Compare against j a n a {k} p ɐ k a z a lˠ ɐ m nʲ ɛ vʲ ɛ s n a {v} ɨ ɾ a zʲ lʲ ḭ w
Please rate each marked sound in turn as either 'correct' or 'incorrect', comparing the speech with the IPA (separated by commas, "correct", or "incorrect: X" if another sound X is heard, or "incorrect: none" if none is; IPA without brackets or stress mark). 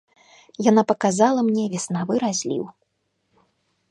incorrect: none, correct